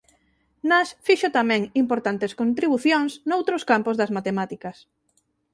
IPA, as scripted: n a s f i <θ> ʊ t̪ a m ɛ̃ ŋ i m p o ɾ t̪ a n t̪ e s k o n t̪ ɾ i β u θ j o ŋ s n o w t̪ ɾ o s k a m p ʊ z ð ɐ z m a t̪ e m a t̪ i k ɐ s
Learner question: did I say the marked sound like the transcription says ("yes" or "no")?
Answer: no